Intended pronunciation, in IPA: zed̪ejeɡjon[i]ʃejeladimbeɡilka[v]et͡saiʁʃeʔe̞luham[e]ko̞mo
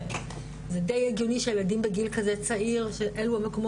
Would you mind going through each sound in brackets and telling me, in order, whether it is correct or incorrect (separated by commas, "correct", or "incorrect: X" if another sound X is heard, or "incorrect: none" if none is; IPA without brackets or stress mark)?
correct, incorrect: z, correct